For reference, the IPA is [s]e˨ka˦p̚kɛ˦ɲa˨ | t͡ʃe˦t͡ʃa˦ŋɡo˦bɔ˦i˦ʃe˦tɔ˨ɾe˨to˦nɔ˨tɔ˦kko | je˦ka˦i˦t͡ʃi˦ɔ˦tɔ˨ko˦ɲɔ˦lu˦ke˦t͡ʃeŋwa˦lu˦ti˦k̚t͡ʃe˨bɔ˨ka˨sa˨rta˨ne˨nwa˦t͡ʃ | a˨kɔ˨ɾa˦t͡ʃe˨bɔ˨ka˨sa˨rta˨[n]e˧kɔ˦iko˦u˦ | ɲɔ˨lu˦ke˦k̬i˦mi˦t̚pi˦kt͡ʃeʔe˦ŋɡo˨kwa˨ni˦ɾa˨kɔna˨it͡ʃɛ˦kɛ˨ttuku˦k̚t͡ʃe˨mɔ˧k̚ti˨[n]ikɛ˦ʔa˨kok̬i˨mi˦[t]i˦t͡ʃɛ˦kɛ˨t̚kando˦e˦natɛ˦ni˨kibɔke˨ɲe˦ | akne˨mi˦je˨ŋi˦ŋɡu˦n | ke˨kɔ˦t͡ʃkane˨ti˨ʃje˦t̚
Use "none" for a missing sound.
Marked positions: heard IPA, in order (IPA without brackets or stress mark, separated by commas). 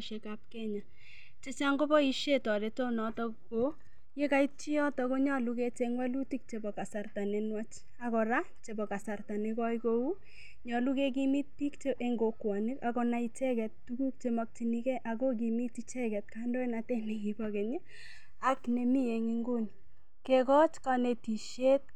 ʃ, n, n, t